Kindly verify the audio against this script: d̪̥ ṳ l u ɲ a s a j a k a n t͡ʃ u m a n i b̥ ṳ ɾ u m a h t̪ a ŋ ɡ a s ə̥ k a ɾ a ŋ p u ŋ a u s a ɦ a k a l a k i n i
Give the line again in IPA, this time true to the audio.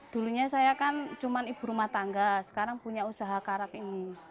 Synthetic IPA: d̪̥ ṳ l u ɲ a s a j a k a n t͡ʃ u m a n i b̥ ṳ ɾ u m a h t̪ a ŋ ɡ a s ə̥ k a ɾ a ŋ p u ɲ a u s a ɦ a k a ɾ a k i n i